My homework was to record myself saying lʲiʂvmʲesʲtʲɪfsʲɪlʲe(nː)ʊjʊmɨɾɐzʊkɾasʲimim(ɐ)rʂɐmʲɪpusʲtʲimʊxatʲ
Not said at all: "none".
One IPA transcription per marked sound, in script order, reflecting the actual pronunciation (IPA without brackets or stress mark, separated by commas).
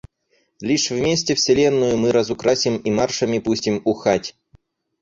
nː, a